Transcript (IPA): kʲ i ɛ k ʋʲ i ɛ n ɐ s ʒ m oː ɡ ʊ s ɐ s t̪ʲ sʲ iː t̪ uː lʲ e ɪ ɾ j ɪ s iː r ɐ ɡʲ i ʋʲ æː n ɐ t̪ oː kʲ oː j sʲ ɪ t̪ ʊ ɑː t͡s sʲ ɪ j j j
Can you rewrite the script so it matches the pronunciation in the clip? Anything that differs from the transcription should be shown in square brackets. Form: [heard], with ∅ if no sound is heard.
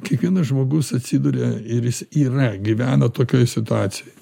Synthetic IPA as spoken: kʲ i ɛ k ʋʲ i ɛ n ɐ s ʒ m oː ɡ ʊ s ɐ [∅] t̪ʲ sʲ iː [d̪] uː [ɾʲ] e ɪ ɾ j ɪ s iː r ɐ ɡʲ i ʋʲ æː n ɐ t̪ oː kʲ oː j sʲ ɪ t̪ ʊ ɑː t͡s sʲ ɪ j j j